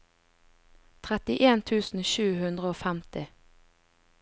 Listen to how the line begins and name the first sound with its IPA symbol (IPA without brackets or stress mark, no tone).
t̪ʰ